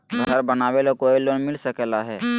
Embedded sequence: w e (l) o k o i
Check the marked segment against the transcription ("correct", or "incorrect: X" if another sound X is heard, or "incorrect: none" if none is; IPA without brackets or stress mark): correct